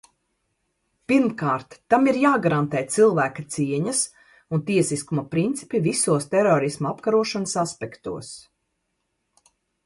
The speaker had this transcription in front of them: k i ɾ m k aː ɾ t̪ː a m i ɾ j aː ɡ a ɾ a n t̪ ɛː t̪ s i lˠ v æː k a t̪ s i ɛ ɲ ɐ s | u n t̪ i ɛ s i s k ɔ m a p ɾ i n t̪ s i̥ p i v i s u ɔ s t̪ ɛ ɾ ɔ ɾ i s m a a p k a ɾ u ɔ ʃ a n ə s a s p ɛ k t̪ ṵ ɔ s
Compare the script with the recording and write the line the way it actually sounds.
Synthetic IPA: p i ɾ m k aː ɾ t̪ː a m i ɾ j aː ɡ a ɾ a n t̪ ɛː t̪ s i lˠ v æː k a t̪ s i ɛ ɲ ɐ s | u n t̪ i ɛ s i s k u m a p ɾ i n t̪ s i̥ p i v i s u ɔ s t̪ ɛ ɾ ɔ ɾ i s m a a p k a ɾ u ɔ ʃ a n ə s a s p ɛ k t̪ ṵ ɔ s